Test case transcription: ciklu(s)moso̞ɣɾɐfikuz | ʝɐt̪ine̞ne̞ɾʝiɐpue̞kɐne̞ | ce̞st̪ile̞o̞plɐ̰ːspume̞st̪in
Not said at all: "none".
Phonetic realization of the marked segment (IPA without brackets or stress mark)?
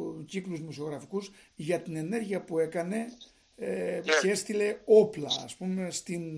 z